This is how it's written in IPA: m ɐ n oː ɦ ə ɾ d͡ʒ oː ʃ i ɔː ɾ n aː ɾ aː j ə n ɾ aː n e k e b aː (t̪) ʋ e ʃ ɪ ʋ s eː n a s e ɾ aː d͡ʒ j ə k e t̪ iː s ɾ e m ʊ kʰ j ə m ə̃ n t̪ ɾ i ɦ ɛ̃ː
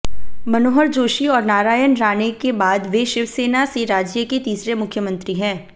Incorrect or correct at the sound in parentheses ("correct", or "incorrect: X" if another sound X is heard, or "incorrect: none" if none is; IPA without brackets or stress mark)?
incorrect: d̪